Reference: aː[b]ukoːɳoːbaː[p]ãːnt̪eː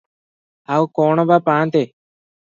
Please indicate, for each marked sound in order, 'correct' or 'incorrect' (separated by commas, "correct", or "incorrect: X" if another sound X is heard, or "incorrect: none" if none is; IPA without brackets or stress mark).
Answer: incorrect: none, correct